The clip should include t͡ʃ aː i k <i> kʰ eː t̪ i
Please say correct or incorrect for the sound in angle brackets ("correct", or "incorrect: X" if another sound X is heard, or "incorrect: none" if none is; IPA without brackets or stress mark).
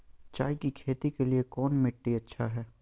correct